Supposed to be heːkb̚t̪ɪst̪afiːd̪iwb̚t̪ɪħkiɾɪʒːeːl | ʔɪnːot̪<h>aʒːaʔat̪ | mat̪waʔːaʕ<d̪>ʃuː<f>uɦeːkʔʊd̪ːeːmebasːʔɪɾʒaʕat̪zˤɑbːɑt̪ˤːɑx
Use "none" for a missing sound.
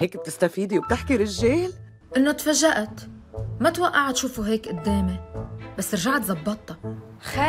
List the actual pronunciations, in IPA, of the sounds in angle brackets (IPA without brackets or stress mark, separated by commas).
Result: f, t̪, f